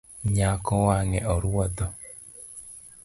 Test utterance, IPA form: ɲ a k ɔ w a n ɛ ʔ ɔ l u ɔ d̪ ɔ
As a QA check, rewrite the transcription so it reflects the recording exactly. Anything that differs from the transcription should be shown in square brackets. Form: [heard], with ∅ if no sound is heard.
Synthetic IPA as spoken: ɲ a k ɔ w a [ŋ] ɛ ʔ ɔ [ɾ] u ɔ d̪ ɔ